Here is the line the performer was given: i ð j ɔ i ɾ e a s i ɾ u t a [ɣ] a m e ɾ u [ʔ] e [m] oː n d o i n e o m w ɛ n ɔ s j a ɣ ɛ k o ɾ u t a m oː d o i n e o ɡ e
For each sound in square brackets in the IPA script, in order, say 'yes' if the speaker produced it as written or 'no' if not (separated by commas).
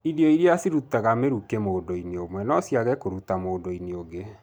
yes, no, yes